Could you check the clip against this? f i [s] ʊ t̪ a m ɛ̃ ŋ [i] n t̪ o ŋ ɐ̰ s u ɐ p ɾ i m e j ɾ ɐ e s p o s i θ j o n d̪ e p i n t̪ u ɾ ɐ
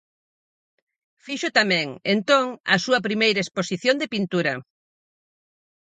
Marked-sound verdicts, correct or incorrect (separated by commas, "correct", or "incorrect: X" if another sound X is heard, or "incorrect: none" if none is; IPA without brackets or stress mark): incorrect: ʃ, incorrect: e